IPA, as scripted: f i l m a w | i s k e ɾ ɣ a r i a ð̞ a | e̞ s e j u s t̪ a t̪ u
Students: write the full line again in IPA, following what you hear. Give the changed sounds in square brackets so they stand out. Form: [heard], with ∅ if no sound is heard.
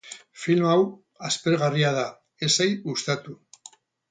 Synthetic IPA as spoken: f i l m a w | [a] s [p] e ɾ ɣ a r i a ð̞ a | e̞ s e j u s t̪ a t̪ u

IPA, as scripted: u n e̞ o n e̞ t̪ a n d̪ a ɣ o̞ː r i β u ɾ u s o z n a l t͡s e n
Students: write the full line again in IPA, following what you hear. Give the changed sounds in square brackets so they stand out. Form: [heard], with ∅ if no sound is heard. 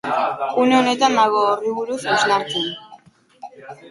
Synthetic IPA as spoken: u n e̞ o n e̞ t̪ a n d̪ a ɣ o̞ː r i β u ɾ u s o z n a [ɾ] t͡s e n

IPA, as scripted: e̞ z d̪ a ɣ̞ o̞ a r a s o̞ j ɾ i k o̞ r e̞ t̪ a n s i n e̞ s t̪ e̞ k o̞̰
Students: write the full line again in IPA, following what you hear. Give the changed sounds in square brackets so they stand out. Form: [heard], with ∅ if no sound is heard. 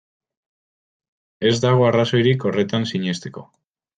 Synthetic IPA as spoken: e̞ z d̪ a ɣ̞ o̞ a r a s o̞ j ɾ i k o̞ r e̞ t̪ a n s i [ɲ] e̞ s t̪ e̞ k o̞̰

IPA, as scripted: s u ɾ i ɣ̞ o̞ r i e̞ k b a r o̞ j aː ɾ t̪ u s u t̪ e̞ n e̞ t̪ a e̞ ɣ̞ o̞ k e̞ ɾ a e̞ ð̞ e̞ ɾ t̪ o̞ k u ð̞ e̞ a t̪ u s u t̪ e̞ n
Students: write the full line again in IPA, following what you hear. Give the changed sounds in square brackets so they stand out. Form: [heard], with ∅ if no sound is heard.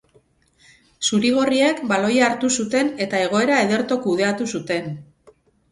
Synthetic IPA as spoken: s u ɾ i ɣ̞ o̞ r i e̞ k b a [l] o̞ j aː ɾ t̪ u s u t̪ e̞ n e̞ t̪ a e̞ ɣ̞ o̞ [∅] e̞ ɾ a e̞ ð̞ e̞ ɾ t̪ o̞ k u ð̞ e̞ a t̪ u s u t̪ e̞ n

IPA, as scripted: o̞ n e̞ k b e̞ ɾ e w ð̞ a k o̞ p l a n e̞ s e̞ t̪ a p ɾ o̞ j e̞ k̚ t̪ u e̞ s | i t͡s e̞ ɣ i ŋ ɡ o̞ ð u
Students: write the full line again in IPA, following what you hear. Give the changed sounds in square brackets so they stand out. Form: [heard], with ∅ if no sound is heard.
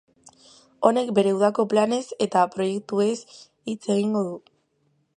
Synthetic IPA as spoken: o̞ n e̞ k b e̞ ɾ e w ð̞ a k o̞ p l a n e̞ s e̞ t̪ a p ɾ o̞ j e̞ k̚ t̪ u e̞ s | i t͡s e̞ ɣ i ŋ ɡ o̞ ð u

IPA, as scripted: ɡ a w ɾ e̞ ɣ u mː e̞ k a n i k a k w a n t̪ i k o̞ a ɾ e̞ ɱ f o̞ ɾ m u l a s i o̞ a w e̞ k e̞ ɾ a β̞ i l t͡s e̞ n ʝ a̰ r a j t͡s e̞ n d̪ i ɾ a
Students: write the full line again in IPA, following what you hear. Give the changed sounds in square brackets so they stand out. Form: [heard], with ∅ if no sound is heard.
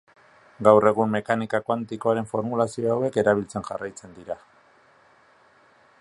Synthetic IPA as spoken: ɡ a w [r] e̞ ɣ u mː e̞ k a n i k a k w a n t̪ i k o̞ a ɾ e̞ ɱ f o̞ ɾ m u l a s i o̞ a w e̞ k e̞ ɾ a β̞ i l t͡s e̞ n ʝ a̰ r a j t͡s e̞ n d̪ i ɾ a

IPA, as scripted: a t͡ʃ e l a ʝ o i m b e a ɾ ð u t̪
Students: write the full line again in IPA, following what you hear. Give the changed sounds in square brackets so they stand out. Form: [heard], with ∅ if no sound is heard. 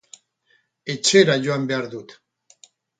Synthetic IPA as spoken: [e] t͡ʃ e [ɾ] a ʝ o [a] m b e a ɾ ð u t̪

